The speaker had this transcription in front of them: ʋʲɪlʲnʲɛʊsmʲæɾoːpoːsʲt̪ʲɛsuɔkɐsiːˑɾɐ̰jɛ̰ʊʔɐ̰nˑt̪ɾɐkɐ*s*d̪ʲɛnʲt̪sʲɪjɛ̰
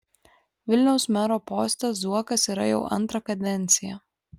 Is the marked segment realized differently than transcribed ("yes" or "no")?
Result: yes